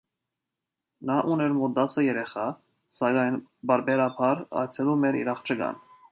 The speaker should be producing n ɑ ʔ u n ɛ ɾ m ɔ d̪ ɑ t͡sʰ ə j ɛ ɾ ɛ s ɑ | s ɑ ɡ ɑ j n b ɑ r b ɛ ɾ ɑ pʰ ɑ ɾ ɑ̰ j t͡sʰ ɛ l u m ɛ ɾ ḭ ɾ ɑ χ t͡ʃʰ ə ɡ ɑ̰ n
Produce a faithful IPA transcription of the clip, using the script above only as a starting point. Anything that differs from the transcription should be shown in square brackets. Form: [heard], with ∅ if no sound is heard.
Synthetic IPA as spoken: n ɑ ʔ u n ɛ ɾ m ɔ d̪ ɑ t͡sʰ ə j ɛ ɾ ɛ [χ] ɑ | s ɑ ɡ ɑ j n b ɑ [ɾ] b ɛ ɾ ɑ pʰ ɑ ɾ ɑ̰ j t͡sʰ ɛ l u m ɛ ɾ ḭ ɾ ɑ χ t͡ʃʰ ə ɡ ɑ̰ n